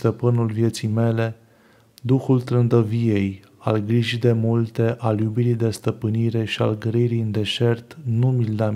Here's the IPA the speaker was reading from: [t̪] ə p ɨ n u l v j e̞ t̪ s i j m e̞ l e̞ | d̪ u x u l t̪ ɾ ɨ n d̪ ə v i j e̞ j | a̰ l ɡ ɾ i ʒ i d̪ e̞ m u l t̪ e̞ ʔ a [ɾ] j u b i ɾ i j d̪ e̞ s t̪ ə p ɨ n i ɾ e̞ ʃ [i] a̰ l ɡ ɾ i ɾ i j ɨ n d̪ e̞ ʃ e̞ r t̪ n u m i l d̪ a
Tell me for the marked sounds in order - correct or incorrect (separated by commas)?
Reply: correct, incorrect, correct